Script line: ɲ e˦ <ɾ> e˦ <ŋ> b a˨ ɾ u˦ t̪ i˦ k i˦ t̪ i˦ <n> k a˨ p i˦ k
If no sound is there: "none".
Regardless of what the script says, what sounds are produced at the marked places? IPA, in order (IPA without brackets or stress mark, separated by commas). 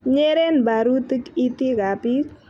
ɾ, n, none